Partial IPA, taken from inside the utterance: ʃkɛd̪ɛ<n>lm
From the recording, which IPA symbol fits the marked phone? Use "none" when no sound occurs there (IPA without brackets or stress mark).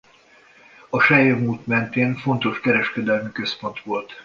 none